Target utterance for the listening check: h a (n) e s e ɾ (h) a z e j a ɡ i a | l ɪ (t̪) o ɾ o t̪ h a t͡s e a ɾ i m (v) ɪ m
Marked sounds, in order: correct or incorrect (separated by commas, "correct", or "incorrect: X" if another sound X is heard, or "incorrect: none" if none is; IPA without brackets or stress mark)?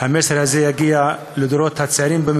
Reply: incorrect: m, correct, incorrect: d̪, incorrect: b